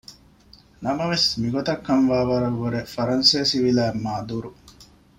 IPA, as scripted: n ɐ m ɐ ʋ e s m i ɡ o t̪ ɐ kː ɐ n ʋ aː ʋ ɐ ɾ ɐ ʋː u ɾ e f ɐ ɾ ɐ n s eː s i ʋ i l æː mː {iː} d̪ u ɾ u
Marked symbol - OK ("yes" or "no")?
no